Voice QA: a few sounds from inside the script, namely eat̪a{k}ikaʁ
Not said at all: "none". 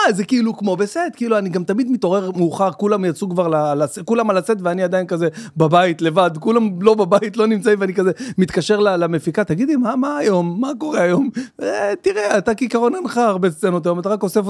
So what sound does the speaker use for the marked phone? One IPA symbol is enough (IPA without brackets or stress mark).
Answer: k